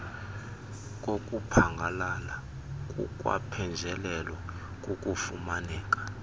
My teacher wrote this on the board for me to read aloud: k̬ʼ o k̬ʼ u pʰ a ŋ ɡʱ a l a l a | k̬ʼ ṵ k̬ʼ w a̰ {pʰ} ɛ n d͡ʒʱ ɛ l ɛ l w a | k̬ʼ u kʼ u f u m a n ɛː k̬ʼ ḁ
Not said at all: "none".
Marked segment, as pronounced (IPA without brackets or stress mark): pʰ